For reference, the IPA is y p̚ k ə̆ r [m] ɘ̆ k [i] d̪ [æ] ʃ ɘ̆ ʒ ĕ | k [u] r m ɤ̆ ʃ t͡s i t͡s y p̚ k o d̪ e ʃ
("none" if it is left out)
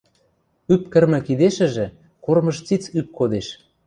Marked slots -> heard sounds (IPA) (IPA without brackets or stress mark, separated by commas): m, i, e, o